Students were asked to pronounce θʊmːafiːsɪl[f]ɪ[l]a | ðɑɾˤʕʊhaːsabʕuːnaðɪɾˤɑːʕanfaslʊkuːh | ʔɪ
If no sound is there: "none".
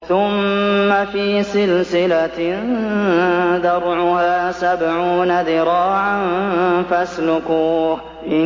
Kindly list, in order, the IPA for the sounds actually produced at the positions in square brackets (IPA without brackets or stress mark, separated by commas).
s, l